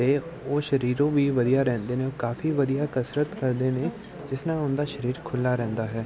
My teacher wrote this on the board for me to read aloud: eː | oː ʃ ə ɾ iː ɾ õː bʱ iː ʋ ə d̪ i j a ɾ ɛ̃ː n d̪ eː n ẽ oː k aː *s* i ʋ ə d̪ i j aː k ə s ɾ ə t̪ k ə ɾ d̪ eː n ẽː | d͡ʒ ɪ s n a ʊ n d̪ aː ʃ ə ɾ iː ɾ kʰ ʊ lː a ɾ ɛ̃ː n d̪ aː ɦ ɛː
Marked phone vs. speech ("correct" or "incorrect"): incorrect